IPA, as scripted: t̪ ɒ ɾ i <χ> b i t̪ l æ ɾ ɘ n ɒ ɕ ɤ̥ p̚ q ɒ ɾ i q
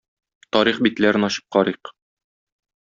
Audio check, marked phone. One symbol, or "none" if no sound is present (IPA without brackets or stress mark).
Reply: χ